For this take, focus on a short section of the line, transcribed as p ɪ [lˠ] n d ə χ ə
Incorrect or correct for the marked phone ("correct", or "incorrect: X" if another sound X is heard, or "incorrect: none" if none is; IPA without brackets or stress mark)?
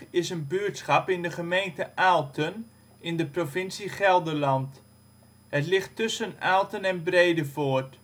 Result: incorrect: none